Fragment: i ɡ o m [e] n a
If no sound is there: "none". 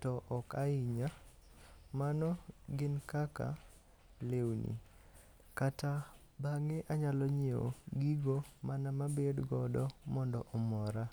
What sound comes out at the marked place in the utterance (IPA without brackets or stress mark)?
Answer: a